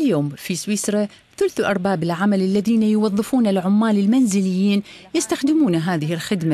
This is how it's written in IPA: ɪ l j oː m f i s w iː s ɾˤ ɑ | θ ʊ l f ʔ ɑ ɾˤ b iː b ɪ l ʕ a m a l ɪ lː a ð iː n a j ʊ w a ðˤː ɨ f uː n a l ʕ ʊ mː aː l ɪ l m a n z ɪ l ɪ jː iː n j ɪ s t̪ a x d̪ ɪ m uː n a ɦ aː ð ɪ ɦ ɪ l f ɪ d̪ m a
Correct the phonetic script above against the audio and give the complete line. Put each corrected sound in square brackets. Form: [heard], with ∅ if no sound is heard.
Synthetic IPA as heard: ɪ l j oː m f i s w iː s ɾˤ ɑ | θ ʊ l [θ] ʔ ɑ ɾˤ b [aː] b ɪ l ʕ a m a l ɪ lː a ð iː n a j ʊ w [ɑ] ðˤː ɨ f uː n a l ʕ ʊ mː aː l ɪ l m a n z ɪ l ɪ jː iː n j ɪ s t̪ a x d̪ ɪ m uː n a ɦ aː ð ɪ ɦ ɪ l [x] ɪ d̪ m a